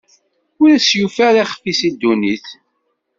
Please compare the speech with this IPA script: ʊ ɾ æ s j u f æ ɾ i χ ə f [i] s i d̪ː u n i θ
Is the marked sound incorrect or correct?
correct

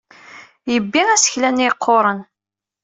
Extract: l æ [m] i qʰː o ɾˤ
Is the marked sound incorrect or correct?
incorrect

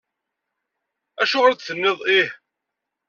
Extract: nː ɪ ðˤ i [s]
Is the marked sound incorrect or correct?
incorrect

